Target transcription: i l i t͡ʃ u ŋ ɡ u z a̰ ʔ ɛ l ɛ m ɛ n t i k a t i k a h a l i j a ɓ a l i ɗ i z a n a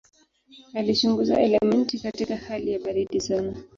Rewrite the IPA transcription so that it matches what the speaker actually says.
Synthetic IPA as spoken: a l i t͡ʃ u ŋ ɡ u z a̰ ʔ ɛ l ɛ m ɛ n t i k a t i k a h a l i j a ɓ a ɾ i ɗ i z a n a

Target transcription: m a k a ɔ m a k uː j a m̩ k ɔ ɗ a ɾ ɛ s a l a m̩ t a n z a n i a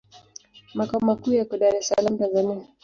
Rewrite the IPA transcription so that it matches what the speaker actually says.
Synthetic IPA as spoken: m a k a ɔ m a k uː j a k ɔ ɗ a ɾ ɛ s a l a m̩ t a n z a n i a

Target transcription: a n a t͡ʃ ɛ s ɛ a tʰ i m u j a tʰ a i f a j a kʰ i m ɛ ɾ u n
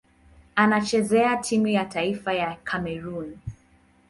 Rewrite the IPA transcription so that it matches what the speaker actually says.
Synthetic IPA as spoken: a n a t͡ʃ ɛ z ɛ a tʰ i m u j a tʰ a i f a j a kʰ a m ɛ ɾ u n

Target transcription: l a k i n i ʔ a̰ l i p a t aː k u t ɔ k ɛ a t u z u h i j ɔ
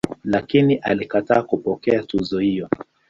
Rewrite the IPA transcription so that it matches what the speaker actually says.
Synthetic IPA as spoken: l a k i n i ʔ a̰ l i k a t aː k u p ɔ k ɛ a t u z ɔ h i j ɔ

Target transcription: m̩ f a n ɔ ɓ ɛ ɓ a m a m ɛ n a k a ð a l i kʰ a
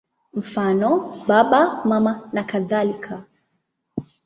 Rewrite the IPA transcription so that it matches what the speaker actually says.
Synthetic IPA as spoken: m̩ f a n ɔ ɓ a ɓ a m a m a n a k a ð a l i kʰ a

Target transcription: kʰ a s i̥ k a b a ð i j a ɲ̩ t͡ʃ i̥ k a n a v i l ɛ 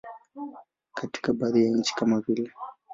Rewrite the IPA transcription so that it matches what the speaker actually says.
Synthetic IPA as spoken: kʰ a t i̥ k a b a ð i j a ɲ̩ t͡ʃ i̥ k a m a v i l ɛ

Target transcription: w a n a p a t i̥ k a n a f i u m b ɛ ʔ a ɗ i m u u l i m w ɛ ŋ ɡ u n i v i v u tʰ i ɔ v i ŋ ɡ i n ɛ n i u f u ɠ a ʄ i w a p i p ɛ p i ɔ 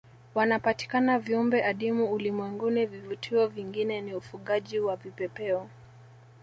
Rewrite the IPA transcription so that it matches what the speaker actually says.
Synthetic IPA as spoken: w a n a p a t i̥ k a n a v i u m b ɛ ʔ a ɗ i m u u l i m w ɛ ŋ ɡ u n i v i v u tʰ i ɔ v i ŋ ɡ i n ɛ n i u f u ɠ a ʄ i w a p i p ɛ p ɛ ɔ

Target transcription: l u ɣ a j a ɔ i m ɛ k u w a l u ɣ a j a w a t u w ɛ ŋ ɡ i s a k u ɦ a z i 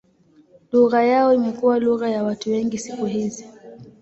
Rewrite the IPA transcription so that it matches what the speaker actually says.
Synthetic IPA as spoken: l u ɣ a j a ɔ i m ɛ k u w a l u ɣ a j a w a t u w ɛ ŋ ɡ i s i k u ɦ i z i

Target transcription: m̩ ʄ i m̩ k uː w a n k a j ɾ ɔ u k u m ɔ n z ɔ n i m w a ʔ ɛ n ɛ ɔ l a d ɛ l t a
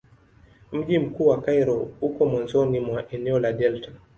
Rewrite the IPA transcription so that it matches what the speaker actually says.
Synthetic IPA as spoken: m̩ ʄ i m̩ k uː w a k a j ɾ ɔ u k ɔ m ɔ n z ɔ n i m w a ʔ ɛ n ɛ ɔ l a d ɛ l t a

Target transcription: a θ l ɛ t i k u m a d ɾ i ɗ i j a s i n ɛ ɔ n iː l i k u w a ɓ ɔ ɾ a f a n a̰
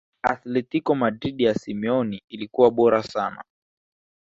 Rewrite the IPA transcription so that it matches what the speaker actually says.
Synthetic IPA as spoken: a θ l ɛ t i k ɔ m a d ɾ i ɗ i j a s i m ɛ ɔ n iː l i k u w a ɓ ɔ ɾ a s a n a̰

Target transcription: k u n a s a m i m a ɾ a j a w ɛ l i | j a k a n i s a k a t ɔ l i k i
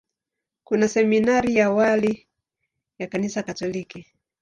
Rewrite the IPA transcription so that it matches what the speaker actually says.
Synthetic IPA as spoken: k u n a s ɛ m i n a ɾ i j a w a l i | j a k a n i s a k a t ɔ l i k i

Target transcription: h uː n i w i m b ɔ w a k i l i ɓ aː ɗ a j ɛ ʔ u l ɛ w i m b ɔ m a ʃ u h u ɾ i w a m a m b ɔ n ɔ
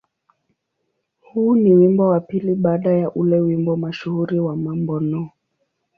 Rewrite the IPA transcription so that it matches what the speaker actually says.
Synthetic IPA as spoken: h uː n i w i m b ɔ w a p i l i ɓ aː ɗ a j a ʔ u l ɛ w i m b ɔ m a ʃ u h u ɾ i w a m a m b ɔ n ɔ

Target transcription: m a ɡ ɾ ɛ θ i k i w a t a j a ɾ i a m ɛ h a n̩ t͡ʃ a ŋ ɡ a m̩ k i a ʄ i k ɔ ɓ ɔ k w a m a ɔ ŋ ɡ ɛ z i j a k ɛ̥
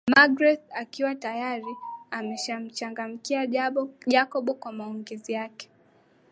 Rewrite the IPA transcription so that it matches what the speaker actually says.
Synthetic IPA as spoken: m a ɡ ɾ ɛ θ a k i w a t a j a ɾ i a m ɛ ʃ a m̩ t͡ʃ a ŋ ɡ a m̩ k i a ʄ a k ɔ ɓ ɔ k w a m a ɔ ŋ ɡ ɛ z i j a k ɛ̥

